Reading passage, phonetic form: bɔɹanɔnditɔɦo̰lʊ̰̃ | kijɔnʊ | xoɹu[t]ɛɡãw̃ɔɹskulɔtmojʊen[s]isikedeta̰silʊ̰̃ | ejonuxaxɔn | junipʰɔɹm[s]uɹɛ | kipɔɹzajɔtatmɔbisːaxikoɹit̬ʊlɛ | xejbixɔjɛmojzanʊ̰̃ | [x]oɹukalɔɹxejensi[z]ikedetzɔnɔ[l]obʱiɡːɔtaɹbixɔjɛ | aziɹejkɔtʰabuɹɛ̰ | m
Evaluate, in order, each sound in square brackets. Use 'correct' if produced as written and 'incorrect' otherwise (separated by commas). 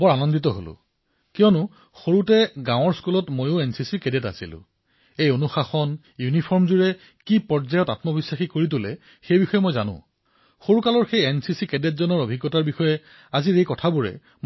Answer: correct, correct, incorrect, correct, incorrect, incorrect